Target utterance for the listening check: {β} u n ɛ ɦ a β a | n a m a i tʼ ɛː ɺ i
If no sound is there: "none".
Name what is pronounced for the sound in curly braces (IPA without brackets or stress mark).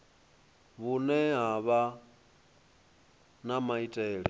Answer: β